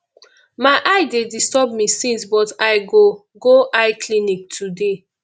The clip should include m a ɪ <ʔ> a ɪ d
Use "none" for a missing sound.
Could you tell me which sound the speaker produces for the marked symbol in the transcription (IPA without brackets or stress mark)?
ʔ